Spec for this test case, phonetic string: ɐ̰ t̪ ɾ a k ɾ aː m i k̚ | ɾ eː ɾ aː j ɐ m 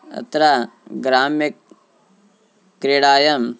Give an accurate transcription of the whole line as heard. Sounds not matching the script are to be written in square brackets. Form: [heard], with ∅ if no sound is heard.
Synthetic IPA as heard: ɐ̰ t̪ ɾ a [ɡ] ɾ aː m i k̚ | ɾ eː [ɽ] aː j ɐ m